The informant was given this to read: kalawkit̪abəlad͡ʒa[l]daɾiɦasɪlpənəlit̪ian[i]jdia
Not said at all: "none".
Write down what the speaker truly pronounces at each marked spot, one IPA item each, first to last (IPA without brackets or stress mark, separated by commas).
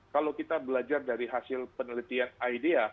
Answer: r, a